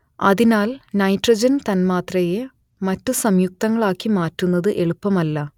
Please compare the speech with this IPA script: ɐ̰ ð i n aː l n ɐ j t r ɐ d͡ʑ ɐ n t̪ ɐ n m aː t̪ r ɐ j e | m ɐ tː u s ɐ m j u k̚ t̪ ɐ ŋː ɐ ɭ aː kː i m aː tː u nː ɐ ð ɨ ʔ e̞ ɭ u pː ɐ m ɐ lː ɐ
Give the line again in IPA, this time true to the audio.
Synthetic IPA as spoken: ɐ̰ ð i n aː l n ɐ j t r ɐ d͡ʑ ɐ n t̪ ɐ n m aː t̪ r ɐ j e | m ɐ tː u s ɐ m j u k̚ t̪ ɐ ŋː ɐ ɭ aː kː i m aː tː u nː ɐ ð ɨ ʔ e̞ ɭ u pː ɐ m ɐ lː ɐ